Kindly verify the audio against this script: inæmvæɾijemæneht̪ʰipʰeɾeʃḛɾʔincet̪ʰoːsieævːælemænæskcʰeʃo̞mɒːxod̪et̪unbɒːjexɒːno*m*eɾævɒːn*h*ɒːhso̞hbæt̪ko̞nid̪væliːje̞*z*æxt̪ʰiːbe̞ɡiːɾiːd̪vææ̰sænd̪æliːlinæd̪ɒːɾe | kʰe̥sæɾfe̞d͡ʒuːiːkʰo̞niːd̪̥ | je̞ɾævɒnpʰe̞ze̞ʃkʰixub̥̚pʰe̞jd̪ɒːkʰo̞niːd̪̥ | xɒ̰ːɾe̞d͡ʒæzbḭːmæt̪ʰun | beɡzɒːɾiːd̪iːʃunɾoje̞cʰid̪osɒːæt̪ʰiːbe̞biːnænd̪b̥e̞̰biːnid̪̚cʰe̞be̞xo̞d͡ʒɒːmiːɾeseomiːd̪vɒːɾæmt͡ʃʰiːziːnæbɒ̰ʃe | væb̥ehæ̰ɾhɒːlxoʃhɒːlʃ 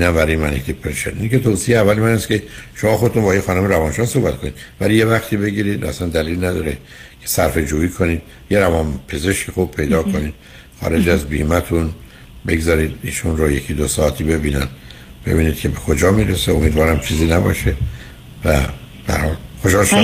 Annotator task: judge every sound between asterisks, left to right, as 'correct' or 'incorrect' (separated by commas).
correct, incorrect, incorrect